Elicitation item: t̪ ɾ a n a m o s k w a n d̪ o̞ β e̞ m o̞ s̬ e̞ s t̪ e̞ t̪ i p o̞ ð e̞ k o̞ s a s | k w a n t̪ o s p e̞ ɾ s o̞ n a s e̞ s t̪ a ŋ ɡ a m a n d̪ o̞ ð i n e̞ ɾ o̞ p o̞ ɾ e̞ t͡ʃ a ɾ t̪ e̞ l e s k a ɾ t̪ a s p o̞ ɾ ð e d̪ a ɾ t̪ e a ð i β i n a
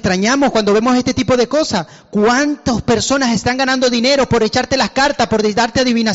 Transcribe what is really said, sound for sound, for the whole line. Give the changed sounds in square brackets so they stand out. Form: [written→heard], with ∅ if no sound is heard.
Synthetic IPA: t̪ ɾ a [n→ɲ] a m o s k w a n d̪ o̞ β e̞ m o̞ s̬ e̞ s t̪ e̞ t̪ i p o̞ ð e̞ k o̞ s a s | k w a n t̪ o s p e̞ ɾ s o̞ n a s e̞ s t̪ a ŋ ɡ a [m→n] a n d̪ o̞ ð i n e̞ ɾ o̞ p o̞ ɾ e̞ t͡ʃ a ɾ t̪ e̞ l [e→a] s k a ɾ t̪ a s p o̞ ɾ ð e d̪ a ɾ t̪ e a ð i β i n a